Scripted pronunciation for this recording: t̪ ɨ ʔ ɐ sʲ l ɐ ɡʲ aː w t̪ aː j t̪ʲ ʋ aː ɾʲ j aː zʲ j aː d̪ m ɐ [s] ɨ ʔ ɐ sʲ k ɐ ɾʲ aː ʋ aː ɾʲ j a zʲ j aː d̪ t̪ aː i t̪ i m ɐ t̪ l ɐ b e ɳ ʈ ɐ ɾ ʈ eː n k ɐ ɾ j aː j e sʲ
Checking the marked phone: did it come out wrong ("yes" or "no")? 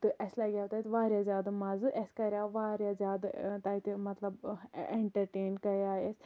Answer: yes